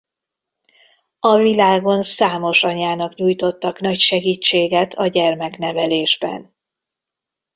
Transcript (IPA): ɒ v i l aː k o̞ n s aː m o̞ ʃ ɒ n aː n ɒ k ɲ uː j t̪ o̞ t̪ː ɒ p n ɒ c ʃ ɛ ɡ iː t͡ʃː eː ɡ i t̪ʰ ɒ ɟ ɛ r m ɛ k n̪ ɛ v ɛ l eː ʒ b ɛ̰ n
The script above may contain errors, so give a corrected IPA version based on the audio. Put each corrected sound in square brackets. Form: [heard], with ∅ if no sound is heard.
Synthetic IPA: ɒ v i l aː [ɡ] o̞ n s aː m o̞ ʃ ɒ [ɲ] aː n ɒ k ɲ uː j t̪ o̞ t̪ː ɒ [k] n ɒ c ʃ ɛ ɡ iː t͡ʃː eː ɡ [ɛ] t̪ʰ ɒ ɟ ɛ r m ɛ k n̪ ɛ v ɛ l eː ʒ b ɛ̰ n

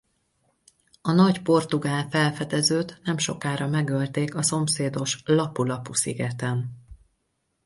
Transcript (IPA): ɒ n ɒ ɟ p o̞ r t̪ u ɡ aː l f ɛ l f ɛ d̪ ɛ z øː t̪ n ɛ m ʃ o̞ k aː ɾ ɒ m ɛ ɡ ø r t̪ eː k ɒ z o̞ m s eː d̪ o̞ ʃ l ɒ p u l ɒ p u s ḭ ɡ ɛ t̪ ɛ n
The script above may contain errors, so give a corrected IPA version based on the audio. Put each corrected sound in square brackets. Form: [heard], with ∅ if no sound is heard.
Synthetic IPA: ɒ n ɒ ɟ p o̞ r t̪ u ɡ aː l f ɛ l f ɛ d̪ ɛ z øː t̪ n ɛ m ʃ o̞ k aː ɾ ɒ m ɛ ɡ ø [l] t̪ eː k ɒ [s] o̞ m s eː d̪ o̞ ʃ l ɒ p u l ɒ p u s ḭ ɡ ɛ t̪ ɛ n

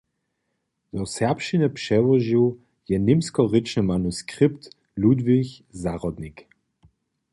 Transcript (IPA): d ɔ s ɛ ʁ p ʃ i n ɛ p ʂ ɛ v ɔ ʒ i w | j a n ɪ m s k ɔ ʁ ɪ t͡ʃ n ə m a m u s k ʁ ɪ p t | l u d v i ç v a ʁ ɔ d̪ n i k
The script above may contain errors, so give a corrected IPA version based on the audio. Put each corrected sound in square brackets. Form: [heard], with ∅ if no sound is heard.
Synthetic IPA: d ɔ s ɛ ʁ p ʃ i n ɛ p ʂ ɛ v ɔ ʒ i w | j [ɛ] n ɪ m s k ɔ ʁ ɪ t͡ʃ n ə m a [n] u s k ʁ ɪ p t | l u d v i ç [z] a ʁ ɔ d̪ n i k

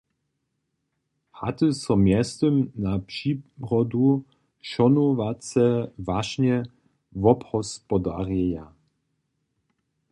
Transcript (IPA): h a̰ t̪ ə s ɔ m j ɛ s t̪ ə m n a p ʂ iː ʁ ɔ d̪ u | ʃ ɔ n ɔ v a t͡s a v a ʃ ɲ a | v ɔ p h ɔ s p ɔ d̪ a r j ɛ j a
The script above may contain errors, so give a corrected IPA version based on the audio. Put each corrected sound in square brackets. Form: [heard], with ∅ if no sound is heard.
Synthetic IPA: h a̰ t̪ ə s ɔ m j ɛ s t̪ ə m n a p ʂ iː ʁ ɔ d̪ u | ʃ ɔ n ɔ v a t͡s [ɛ] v a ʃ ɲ [ɛ] | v ɔ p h ɔ s p ɔ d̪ a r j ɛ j a

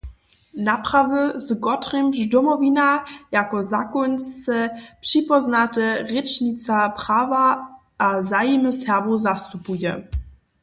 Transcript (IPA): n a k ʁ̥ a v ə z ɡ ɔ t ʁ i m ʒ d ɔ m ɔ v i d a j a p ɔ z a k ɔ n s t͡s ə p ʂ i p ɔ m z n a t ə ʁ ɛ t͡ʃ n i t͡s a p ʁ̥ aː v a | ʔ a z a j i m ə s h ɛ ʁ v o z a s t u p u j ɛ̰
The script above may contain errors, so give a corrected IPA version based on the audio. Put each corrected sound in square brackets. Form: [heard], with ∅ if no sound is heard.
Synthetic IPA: n a [p] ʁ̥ a v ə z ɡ ɔ t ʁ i m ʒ d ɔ m ɔ v i [n] a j a [k] ɔ z a k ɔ n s t͡s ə p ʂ i p ɔ [∅] z n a t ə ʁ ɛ t͡ʃ n i t͡s a p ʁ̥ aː v a | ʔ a z a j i m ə s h ɛ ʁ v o z a s t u p u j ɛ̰

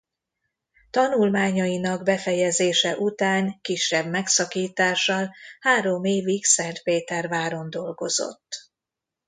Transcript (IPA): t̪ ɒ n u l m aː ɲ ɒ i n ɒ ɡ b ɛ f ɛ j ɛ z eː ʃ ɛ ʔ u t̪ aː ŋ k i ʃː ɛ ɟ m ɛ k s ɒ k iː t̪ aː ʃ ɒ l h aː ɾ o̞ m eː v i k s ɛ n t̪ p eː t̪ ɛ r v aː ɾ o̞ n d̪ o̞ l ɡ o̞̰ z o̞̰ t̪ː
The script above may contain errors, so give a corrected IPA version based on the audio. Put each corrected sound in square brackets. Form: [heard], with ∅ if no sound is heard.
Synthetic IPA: t̪ ɒ n u l m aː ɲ ɒ i n ɒ ɡ b ɛ f ɛ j ɛ z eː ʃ ɛ ʔ u t̪ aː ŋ k i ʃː ɛ [b] m ɛ k s ɒ k iː t̪ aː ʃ ɒ l h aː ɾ o̞ m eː v i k s ɛ n t̪ p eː t̪ ɛ r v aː ɾ o̞ n d̪ o̞ l ɡ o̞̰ z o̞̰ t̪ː

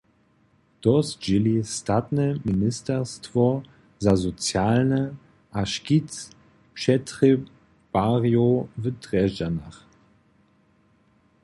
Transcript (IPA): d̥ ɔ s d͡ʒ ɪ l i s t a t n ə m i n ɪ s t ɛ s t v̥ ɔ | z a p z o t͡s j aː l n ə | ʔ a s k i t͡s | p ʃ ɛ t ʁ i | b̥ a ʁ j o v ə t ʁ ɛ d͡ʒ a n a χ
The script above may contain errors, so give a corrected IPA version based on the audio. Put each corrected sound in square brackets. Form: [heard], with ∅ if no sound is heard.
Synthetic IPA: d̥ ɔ s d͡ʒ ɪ l i s t a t n ə m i n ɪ s t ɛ s t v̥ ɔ | z a [∅] z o t͡s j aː l n ə | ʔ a [ʃ] k i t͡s | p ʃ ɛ t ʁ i | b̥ a ʁ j o v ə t ʁ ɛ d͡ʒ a n a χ

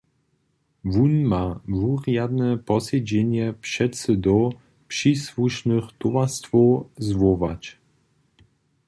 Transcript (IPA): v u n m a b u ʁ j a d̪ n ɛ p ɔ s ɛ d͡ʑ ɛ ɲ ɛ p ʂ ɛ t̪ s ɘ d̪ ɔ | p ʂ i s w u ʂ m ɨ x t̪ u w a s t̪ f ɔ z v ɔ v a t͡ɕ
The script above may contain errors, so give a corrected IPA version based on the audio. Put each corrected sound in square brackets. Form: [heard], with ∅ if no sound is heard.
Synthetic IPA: v u n m a [v] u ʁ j a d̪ n ɛ p ɔ s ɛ d͡ʑ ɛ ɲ ɛ p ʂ ɛ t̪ s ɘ d̪ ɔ | p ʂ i s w u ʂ [n] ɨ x t̪ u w a s t̪ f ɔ z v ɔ v a t͡ɕ

